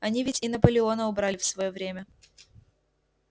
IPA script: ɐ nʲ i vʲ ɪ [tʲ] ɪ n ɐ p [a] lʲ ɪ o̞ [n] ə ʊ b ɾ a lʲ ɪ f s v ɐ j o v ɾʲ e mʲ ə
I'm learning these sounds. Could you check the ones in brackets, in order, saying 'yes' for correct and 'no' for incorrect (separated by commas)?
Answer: yes, no, yes